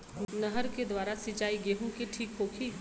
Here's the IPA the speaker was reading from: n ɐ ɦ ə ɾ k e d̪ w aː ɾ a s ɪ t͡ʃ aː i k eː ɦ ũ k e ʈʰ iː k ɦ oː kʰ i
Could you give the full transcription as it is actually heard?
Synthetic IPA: n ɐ ɦ ə ɾ k e d̪ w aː ɾ a s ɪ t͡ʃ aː i ɡ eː ɦ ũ k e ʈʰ iː k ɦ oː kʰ i

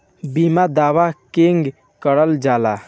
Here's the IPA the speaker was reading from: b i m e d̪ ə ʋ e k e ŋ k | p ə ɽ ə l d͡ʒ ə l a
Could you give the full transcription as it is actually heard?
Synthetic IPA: b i m a d̪ a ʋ a k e ŋ ɡ | k ə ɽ ə l d͡ʒ a l a

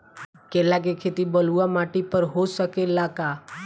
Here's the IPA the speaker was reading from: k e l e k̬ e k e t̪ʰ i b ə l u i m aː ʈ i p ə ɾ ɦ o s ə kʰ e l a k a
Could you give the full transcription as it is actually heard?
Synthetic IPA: k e l a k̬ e kʰ e t̪ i b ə l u a m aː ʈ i p ə ɾ ɦ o s ə k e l a k a

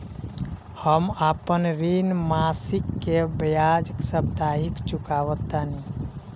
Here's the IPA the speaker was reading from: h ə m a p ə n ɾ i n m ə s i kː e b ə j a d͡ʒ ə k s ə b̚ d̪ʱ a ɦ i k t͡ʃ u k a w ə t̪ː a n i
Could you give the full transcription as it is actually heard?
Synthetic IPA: h ə m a p ə n ɾ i n m a s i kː e b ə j a d͡ʒ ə k s ə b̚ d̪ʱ a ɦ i k t͡ʃ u k a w ə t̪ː a n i

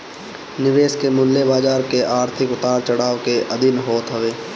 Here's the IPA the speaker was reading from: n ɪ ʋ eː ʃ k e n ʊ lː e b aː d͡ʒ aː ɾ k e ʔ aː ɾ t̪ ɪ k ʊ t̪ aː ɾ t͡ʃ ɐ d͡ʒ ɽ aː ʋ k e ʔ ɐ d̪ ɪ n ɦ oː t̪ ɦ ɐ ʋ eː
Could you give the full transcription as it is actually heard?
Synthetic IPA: n ɪ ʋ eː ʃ k e m ʊ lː e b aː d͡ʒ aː ɾ k e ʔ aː ɾ t̪ʰ ɪ k ʊ t̪ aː ɾ t͡ʃ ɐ ɽ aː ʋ k e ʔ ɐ d̪ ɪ n ɦ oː t̪ ɦ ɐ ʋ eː

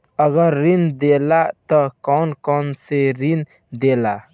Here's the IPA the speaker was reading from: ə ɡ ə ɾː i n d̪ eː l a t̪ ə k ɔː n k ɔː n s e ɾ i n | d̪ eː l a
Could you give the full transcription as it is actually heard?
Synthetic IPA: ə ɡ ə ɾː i n d̪ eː l a t̪ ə k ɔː n k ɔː n s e ɾ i n | d̪ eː l a

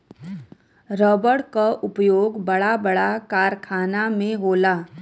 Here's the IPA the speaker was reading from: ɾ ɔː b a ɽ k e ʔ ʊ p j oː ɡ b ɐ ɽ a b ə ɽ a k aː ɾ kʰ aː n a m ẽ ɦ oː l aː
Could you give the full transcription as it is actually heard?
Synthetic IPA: ɾ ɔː b ə ɽ k a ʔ ʊ p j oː ɡ b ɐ ɽ a b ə ɽ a k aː ɾ kʰ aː n a m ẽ ɦ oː l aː

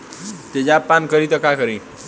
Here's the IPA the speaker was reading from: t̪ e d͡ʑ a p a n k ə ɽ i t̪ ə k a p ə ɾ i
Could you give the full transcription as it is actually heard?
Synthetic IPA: t̪ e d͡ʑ a p a n k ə ɾ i t̪ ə k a k ə ɾ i

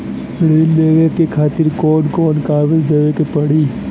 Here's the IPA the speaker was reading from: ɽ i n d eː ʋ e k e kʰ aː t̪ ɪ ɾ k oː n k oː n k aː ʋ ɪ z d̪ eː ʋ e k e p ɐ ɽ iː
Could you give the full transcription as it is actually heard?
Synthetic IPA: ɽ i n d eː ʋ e k e kʰ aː t̪ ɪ ɾ k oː n k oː n k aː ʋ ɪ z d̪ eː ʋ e k e p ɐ ɽ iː

